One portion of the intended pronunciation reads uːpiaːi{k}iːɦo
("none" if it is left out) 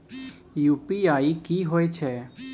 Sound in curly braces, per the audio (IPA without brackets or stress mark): k